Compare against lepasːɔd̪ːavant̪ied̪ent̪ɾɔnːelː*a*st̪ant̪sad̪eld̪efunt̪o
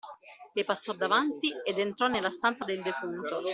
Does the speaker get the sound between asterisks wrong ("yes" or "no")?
no